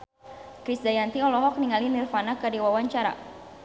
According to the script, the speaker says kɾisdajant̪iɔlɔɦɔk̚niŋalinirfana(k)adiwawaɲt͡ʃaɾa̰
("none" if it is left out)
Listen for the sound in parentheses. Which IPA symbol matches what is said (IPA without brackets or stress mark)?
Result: k